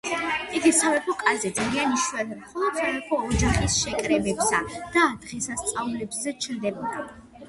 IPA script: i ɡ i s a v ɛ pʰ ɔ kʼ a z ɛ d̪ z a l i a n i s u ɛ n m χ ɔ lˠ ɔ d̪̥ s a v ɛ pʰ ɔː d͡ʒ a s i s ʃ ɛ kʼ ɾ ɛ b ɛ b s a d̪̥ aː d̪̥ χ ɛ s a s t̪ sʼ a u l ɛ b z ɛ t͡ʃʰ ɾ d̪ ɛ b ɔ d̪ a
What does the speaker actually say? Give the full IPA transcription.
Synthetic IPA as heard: i ɡ i s a v ɛ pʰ ɔ kʼ a z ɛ d̪ z a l i a n i ʃ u ɛ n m χ ɔ lˠ ɔ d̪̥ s a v ɛ pʰ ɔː d͡ʒ a χ i s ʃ ɛ kʼ ɾ ɛ b ɛ b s a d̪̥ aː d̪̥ ʁ ɛ s a s t̪ sʼ a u l ɛ b z ɛ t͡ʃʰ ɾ d̪ ɛ b ɔ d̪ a

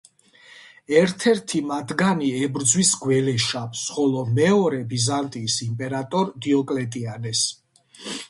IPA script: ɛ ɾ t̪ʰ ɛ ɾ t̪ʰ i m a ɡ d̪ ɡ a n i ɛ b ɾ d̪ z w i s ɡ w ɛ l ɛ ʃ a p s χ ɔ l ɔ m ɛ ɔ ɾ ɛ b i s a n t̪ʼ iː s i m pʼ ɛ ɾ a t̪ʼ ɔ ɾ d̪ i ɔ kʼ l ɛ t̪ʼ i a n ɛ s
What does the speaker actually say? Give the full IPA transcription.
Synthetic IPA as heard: ɛ ɾ t̪ʰ ɛ ɾ t̪ʰ i m a d̪ ɡ a n i ɛ b ɾ d̪ z w i s ɡ w ɛ l ɛ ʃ a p s χ ɔ l ɔ m ɛ ɔ ɾ ɛ b i z a n t̪ʼ iː s i m pʼ ɛ ɾ a t̪ʼ ɔ ɾ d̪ i ɔ kʼ l ɛ t̪ʼ i a n ɛ s

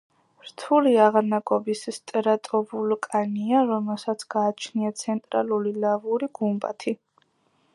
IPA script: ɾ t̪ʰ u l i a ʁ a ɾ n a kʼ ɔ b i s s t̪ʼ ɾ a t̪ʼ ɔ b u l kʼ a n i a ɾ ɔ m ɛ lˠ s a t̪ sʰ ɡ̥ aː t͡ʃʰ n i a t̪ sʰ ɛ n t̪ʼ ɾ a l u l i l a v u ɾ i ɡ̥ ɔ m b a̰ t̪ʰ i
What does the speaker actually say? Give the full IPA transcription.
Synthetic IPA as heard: ɾ t̪ʰ u l i a ʁ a ɾ n a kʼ ɔ b i s s t̪ʼ ɾ a t̪ʼ ɔ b u l kʼ a n i a ɾ ɔ m ɛ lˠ s a t̪ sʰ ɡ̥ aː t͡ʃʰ n i a t̪ sʰ ɛ n t̪ʼ ɾ a l u l i l a v u ɾ i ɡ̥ u m b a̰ t̪ʰ i

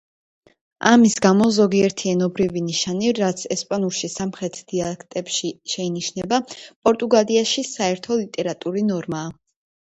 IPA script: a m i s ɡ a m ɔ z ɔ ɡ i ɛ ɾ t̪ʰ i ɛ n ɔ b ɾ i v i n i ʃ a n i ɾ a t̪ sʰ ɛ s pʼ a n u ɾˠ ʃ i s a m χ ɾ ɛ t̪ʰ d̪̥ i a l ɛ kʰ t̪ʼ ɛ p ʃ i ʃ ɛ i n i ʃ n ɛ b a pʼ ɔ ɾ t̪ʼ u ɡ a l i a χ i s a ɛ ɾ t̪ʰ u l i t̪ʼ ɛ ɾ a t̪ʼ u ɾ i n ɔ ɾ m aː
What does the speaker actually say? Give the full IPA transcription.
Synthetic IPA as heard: a m i s ɡ a m ɔ z ɔ ɡ i ɛ ɾ t̪ʰ i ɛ n ɔ b ɾ i v i n i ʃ a n i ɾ a t̪ sʰ ɛ s pʼ a n u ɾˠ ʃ i s a m χ ɾ ɛ t̪ʰ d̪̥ i a l ɛ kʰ t̪ʼ ɛ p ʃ i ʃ ɛ i n i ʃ n ɛ b a pʼ ɔ ɾ t̪ʼ u ɡ a l i a ʃ i s a ɛ ɾ t̪ʰ ɔ l i t̪ʼ ɛ ɾ a t̪ʼ u ɾ i n ɔ ɾ m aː

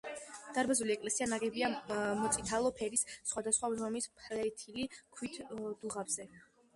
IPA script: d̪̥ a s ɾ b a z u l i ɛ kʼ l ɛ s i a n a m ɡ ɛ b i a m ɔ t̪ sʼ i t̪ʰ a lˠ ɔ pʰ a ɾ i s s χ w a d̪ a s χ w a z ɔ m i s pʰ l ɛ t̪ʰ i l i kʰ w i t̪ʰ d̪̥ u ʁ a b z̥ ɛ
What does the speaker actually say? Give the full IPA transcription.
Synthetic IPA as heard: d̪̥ a ɾ b a z u l i ɛ kʼ l ɛ s i a n a ɡ ɛ b i a m ɔ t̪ sʼ i t̪ʰ a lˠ ɔ pʰ ɛ ɾ i s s χ w a d̪ a s χ w a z ɔ m i s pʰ l ɛ t̪ʰ i l i kʰ w i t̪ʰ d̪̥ u ʁ a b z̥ ɛ

